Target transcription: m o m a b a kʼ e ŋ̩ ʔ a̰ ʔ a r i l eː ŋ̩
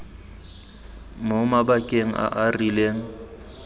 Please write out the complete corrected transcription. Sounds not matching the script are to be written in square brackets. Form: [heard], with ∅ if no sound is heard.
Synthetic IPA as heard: m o m a b a kʼ e ŋ̩ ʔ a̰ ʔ a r i l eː ŋ̩